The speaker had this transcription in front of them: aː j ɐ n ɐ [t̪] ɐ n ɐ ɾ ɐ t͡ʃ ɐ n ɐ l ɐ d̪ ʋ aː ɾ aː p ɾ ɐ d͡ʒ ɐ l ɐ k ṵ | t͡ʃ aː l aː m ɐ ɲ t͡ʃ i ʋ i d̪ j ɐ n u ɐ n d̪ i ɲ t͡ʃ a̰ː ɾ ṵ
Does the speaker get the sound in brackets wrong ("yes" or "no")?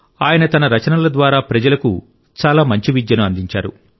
no